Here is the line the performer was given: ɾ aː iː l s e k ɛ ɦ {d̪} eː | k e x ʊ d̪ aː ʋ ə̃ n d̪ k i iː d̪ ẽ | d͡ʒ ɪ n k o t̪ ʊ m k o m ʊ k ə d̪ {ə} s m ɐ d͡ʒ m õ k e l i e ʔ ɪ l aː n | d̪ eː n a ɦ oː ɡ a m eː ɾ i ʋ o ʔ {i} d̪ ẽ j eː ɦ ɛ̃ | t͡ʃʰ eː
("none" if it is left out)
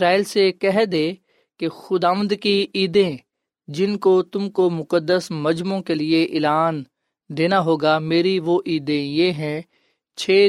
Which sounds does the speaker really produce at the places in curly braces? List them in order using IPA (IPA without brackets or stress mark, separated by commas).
d̪, ə, iː